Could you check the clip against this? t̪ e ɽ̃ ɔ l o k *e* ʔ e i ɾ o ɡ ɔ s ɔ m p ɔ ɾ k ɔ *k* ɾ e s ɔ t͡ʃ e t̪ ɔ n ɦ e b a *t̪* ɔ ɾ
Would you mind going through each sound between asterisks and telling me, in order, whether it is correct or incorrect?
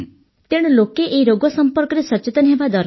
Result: correct, incorrect: none, incorrect: d̪

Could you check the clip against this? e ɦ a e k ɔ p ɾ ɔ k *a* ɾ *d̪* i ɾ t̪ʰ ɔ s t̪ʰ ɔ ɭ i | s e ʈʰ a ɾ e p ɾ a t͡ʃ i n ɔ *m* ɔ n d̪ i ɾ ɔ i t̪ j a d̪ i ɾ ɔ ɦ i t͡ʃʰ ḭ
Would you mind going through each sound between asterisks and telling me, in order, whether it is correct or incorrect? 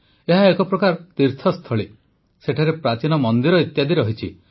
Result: correct, incorrect: t̪, correct

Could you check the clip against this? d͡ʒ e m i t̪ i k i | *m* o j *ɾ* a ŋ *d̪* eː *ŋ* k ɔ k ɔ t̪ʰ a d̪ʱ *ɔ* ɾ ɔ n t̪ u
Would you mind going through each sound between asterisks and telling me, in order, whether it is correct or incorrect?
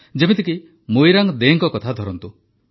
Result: correct, correct, correct, correct, correct

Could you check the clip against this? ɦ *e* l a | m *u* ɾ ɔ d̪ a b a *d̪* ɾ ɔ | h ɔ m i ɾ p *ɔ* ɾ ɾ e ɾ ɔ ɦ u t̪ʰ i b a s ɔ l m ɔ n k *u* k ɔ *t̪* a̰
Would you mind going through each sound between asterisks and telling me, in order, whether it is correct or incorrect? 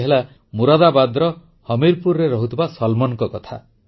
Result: correct, correct, correct, incorrect: u, incorrect: ɔ, incorrect: t̪ʰ

